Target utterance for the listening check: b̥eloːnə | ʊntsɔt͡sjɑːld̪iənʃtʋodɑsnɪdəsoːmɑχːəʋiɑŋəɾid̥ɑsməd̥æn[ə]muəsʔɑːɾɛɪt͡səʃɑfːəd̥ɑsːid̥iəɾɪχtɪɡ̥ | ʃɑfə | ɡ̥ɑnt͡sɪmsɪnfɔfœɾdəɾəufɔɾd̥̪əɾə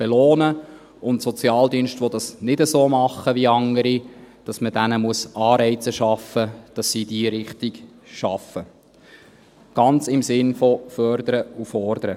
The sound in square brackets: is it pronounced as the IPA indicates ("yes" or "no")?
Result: yes